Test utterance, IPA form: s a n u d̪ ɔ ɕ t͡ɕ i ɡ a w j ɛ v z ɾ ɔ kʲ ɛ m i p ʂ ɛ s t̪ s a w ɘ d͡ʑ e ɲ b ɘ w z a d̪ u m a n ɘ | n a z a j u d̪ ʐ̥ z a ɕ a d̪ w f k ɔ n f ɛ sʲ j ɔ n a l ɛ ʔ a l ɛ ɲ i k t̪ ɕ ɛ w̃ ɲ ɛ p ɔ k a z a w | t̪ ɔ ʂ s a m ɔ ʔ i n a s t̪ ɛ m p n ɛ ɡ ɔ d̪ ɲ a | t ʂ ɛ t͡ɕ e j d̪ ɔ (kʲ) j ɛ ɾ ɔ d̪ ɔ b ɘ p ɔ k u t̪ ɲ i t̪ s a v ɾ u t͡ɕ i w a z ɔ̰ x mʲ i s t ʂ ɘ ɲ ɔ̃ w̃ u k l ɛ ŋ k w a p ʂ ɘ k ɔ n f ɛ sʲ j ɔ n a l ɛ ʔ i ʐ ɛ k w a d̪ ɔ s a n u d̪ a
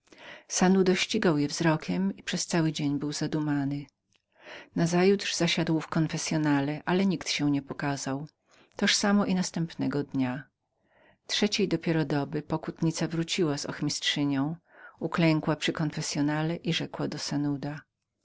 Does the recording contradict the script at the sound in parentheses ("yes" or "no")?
yes